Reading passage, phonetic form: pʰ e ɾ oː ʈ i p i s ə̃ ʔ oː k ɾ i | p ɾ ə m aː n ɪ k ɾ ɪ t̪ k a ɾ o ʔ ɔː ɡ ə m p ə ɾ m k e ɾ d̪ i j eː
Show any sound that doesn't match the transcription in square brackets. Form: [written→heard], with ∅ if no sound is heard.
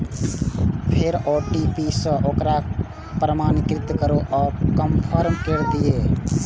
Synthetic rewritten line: pʰ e ɾ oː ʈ i p i s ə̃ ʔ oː k ɾ [i→a] | p ɾ ə m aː n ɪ k ɾ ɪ t̪ k [a→ə] ɾ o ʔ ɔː [ɡ→k] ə m [p→pʰ] ə ɾ m k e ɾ d̪ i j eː